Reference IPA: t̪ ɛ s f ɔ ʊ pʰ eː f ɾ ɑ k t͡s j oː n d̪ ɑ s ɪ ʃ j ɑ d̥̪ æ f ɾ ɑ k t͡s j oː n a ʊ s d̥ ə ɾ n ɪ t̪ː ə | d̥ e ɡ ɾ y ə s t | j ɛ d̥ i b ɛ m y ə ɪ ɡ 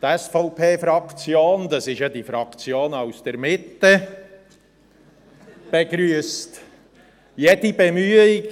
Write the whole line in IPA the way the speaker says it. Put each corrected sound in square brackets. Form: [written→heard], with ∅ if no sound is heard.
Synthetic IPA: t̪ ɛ s f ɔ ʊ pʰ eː f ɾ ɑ k t͡s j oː n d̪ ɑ s ɪ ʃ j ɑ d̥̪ [æ→i] f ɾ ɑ k t͡s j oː n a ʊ s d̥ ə ɾ [n→m] ɪ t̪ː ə | [d̥→b̥] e ɡ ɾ y ə s t | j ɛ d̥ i b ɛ m y ə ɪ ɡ